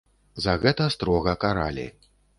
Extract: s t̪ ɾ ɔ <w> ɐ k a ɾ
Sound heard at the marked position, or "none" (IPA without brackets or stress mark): ɣ